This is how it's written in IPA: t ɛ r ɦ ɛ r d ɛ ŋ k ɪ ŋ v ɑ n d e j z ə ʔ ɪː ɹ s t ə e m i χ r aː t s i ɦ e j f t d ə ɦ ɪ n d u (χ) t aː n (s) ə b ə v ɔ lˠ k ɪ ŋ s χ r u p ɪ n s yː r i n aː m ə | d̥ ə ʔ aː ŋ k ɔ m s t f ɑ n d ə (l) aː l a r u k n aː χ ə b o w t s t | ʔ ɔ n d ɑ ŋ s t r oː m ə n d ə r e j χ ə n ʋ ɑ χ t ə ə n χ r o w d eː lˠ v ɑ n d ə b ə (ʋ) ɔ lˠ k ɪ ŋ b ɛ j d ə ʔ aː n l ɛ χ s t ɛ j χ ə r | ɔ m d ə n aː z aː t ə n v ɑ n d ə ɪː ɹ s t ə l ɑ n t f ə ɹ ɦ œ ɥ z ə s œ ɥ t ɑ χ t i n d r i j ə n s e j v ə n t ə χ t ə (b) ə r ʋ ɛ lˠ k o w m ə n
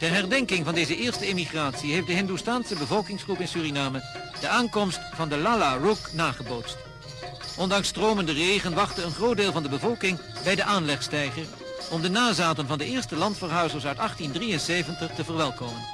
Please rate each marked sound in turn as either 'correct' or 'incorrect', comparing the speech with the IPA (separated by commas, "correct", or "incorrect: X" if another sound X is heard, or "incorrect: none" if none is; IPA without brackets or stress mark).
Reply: incorrect: s, correct, correct, incorrect: v, incorrect: v